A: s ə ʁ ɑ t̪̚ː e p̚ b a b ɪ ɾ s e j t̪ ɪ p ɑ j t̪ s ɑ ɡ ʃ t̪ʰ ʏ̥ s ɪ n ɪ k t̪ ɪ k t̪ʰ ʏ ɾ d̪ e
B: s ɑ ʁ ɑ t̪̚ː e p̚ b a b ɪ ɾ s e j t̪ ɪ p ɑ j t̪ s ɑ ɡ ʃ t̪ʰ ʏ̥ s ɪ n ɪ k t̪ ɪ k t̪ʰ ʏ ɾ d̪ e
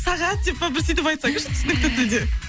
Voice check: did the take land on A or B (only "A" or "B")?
B